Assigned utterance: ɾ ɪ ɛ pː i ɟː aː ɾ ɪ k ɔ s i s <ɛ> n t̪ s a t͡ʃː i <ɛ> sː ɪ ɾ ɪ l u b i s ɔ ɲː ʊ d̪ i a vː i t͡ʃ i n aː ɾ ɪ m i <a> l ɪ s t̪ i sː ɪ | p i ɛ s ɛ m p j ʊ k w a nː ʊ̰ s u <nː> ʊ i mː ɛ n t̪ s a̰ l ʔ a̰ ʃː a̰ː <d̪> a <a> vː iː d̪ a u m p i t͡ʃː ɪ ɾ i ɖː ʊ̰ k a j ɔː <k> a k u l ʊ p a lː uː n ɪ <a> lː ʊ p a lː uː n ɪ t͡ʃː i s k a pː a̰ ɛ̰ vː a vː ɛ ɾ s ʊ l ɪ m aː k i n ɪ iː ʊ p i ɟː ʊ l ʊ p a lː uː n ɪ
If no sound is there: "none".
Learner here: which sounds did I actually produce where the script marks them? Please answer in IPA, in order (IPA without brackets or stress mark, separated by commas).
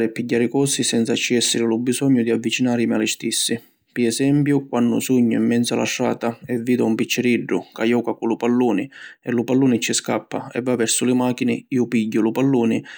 ɛ, ɛ, a, ɲː, t̪, ɛ, k, ɛ